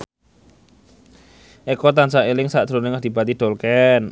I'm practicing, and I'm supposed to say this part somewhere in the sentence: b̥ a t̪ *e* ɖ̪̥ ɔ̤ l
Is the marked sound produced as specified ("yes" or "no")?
no